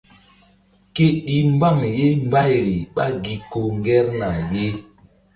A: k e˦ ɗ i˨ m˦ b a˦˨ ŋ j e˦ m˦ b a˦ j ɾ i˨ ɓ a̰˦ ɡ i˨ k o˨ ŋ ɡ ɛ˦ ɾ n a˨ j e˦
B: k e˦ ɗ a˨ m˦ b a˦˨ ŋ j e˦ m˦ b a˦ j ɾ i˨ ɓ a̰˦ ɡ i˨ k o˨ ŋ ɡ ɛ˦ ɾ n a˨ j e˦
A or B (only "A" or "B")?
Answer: A